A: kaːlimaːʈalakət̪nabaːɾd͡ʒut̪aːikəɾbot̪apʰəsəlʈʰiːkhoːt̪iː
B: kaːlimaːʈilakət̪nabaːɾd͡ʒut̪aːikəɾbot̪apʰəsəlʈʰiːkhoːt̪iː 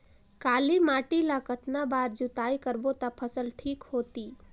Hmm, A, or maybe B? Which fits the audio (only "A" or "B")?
B